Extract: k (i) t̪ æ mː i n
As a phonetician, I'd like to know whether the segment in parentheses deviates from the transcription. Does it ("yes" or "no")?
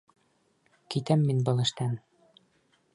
no